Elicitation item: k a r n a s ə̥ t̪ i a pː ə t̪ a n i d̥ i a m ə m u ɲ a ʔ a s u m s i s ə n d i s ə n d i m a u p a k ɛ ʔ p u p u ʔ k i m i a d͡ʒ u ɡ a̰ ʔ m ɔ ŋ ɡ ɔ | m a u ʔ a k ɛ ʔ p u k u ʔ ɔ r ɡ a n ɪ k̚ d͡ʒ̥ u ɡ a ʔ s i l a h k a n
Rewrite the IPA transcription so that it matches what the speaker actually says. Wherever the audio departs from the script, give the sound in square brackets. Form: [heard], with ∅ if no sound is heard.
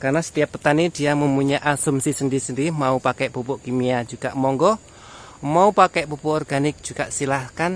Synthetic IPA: k a r n a s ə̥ t̪ i a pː ə t̪ a n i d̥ i a m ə m u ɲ a ʔ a s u m s i s ə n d i s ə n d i m a u p a k ɛ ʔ p u p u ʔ k i m i a d͡ʒ u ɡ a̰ ʔ m ɔ ŋ ɡ ɔ | m a u [p] a k ɛ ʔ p u [p] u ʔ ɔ r ɡ a n ɪ k̚ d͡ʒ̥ u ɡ a ʔ s i l a h k a n